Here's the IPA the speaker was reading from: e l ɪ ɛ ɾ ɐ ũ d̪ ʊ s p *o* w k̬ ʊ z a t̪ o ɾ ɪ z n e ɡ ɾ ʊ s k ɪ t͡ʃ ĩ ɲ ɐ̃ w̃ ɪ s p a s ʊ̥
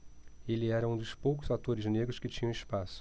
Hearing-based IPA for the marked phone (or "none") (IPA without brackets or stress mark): o